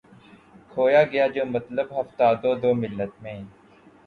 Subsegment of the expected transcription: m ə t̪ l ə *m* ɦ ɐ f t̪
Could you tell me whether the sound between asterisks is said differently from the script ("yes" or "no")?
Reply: yes